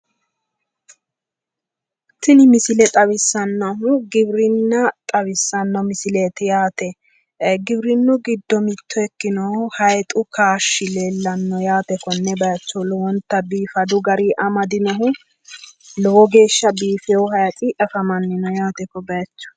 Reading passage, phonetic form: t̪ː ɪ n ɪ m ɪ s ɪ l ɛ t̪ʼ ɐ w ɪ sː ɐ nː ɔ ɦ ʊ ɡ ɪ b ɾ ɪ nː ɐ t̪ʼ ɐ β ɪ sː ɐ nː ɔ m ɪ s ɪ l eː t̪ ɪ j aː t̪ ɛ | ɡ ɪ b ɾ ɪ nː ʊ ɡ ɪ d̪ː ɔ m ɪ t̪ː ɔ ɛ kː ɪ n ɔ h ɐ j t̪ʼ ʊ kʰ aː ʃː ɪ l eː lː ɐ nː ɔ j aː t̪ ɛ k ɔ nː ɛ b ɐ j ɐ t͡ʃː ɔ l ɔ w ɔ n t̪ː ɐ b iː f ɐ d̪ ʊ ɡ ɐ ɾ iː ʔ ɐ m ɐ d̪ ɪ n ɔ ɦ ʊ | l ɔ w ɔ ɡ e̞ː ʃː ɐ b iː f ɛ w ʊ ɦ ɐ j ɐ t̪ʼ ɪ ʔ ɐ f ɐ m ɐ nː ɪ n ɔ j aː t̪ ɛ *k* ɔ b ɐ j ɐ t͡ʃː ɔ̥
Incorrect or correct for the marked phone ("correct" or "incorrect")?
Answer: correct